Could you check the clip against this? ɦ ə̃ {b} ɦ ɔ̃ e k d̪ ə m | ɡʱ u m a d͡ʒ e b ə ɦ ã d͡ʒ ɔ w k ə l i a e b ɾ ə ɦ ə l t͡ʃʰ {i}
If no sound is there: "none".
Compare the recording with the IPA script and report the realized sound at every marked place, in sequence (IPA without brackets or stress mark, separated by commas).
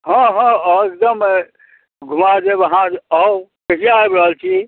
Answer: none, i